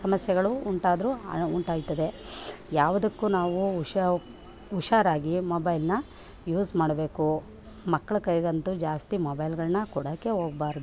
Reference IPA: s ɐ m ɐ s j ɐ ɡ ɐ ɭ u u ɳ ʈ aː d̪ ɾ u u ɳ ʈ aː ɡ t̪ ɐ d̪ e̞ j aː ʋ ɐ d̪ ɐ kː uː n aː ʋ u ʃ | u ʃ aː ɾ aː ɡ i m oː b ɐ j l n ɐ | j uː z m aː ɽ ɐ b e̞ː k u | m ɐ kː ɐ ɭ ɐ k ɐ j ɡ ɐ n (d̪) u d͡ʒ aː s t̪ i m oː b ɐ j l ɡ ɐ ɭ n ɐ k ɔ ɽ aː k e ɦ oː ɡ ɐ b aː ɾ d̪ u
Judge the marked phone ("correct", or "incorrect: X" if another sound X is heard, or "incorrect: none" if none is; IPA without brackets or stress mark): incorrect: t̪